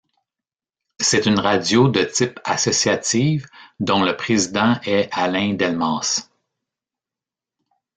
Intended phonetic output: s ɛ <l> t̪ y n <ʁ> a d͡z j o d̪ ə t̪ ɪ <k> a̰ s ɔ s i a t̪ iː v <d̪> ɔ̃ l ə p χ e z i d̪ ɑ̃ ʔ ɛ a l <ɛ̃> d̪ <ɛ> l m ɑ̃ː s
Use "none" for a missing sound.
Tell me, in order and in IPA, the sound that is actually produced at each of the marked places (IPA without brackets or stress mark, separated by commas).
none, ʁ, p, d̪, ɛ̃, ɛ